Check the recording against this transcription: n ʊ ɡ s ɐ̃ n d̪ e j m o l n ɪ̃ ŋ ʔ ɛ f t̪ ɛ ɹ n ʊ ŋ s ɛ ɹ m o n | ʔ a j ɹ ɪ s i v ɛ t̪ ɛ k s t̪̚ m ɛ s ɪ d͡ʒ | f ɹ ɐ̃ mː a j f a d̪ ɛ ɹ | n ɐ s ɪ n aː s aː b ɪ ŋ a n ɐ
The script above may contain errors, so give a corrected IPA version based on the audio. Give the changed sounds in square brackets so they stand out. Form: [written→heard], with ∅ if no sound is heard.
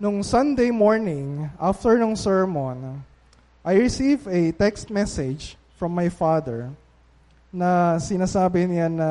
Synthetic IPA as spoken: n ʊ [ɡ→ŋ] s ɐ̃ n d̪ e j m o [l→ɹ] n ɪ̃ ŋ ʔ [ɛ→a] f t̪ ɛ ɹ n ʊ ŋ s ɛ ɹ m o n | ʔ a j ɹ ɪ s i v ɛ t̪ ɛ k s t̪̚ m ɛ s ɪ d͡ʒ | f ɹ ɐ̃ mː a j f a d̪ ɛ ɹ | n ɐ s ɪ n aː s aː b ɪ [ŋ→n] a n ɐ